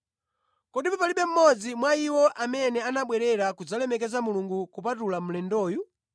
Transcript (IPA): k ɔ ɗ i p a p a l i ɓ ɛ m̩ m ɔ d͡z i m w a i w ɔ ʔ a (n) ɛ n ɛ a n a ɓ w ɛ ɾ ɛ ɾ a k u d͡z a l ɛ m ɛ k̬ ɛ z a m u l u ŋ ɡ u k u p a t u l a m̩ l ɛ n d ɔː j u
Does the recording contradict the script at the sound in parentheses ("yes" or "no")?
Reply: yes